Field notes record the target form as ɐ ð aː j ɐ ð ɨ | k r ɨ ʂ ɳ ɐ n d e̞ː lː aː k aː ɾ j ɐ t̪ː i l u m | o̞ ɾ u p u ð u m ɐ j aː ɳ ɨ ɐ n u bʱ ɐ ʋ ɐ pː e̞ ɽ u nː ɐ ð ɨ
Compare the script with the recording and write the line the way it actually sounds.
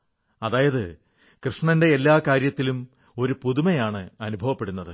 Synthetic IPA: ɐ ð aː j ɐ ð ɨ | k r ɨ ʂ ɳ ɐ n d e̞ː lː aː k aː ɾ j ɐ t̪ː i l u m | o̞ ɾ u p u ð u m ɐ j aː ɳ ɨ ɐ n u bʱ ɐ ʋ ɐ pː e̞ ɽ u nː ɐ ð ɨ